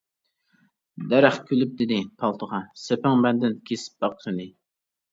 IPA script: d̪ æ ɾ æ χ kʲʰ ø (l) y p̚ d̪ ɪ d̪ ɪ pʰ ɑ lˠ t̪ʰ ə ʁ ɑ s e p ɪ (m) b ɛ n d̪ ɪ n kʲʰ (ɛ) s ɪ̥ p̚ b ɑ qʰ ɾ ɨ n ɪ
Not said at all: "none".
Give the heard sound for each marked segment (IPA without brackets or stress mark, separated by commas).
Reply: l, ŋ, e